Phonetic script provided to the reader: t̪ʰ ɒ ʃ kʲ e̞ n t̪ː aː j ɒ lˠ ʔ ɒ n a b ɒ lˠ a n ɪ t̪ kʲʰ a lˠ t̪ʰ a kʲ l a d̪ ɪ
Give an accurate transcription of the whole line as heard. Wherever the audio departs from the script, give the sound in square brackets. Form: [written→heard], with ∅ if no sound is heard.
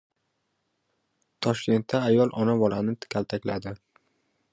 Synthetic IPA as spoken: t̪ʰ ɒ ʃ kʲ e̞ n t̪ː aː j ɒ lˠ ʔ ɒ n a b ɒ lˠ a n ɪ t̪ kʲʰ a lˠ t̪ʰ a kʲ l a d̪ ɪ

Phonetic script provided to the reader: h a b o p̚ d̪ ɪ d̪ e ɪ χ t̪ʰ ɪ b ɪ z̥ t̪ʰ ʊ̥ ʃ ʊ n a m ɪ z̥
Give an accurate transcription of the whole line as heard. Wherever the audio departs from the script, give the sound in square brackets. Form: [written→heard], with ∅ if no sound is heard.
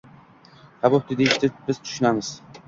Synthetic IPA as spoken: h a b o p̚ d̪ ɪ d̪ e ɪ [χ→ʃ] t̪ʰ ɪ b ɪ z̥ t̪ʰ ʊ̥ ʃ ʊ n a m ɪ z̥

